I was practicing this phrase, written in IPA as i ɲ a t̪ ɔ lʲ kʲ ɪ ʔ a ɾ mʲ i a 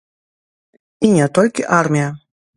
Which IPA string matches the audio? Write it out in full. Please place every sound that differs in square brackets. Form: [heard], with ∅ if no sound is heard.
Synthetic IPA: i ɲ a t̪ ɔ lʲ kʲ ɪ ʔ a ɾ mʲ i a